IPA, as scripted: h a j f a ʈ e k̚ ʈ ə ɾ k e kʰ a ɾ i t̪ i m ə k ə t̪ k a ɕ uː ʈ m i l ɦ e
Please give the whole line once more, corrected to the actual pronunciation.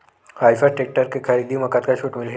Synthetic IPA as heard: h a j f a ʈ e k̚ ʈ ə ɾ k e kʰ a ɾ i d̪ i m ə k a t̪ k a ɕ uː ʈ m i l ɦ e